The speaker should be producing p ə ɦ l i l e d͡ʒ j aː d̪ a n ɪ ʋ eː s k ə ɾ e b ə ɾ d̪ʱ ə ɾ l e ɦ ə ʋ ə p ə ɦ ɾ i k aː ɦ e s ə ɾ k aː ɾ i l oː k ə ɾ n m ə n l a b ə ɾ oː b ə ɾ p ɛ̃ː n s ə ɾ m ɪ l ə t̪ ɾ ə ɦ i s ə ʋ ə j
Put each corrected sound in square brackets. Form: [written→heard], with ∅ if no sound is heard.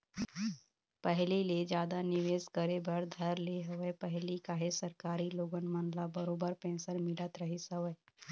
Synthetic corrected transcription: p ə ɦ l i l e d͡ʒ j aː d̪ a n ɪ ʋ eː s k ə ɾ e b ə ɾ d̪ʱ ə ɾ l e ɦ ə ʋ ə p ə ɦ [ɾ→l] i k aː ɦ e s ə ɾ k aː ɾ i l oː [k→ɡ] ə [ɾ→∅] n m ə n l a b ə ɾ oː b ə ɾ p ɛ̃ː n s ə ɾ m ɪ l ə t̪ ɾ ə ɦ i s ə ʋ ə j